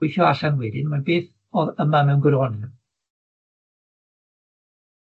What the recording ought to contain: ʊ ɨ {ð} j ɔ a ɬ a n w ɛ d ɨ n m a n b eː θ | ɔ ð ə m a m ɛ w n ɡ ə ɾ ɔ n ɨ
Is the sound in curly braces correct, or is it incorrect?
incorrect